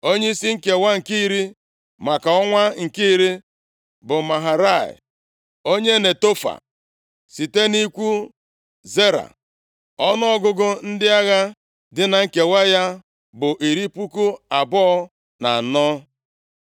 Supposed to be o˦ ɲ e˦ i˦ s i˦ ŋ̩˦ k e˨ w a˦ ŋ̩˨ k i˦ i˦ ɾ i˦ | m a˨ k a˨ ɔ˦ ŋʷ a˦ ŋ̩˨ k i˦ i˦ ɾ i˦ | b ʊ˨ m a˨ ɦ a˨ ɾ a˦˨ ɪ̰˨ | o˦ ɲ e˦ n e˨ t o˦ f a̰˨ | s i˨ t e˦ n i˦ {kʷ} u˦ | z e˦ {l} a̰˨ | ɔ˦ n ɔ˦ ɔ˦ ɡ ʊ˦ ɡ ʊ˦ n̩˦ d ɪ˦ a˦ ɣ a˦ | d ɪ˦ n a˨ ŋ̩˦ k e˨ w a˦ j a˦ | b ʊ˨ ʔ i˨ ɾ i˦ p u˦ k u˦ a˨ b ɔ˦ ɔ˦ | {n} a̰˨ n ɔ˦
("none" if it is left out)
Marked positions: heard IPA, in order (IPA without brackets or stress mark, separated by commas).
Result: kʷ, ɾ, n